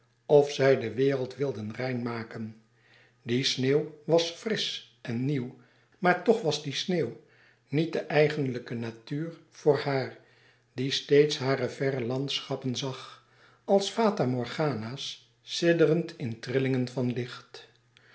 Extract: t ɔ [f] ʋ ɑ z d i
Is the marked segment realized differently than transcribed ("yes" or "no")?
yes